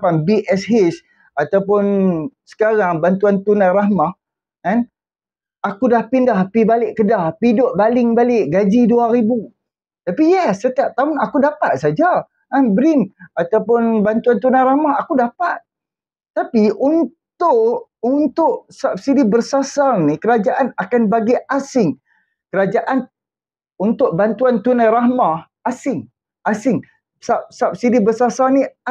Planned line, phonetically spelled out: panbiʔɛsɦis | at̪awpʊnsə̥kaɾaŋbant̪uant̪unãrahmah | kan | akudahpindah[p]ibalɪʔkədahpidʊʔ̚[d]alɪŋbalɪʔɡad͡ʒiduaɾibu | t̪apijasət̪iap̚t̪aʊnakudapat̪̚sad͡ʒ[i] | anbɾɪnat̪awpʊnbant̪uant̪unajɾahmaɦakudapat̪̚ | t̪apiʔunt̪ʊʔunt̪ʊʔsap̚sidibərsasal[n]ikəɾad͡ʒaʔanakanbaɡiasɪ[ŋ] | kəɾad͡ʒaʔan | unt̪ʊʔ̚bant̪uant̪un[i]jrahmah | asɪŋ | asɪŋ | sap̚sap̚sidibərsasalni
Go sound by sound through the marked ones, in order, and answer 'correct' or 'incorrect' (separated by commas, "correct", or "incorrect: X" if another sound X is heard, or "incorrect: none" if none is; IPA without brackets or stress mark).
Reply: correct, incorrect: b, incorrect: a, correct, correct, incorrect: a